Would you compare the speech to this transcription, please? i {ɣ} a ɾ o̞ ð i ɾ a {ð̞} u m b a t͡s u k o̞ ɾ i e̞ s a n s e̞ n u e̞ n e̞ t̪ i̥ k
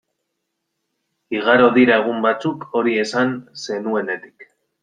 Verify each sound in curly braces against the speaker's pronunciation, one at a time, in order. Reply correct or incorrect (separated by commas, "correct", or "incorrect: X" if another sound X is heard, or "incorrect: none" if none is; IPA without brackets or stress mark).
correct, incorrect: ɣ̞